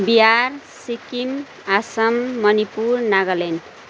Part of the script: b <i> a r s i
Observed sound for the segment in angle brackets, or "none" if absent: i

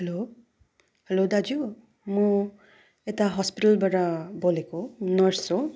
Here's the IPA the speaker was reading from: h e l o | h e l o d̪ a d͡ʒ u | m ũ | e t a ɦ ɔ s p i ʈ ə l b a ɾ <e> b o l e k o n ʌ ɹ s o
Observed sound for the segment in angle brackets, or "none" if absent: a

